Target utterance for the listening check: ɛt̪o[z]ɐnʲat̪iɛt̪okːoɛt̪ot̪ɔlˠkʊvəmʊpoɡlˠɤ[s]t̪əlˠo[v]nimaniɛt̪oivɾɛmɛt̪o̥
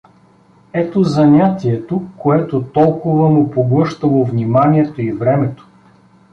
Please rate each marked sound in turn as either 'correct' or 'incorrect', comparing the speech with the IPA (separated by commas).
correct, incorrect, correct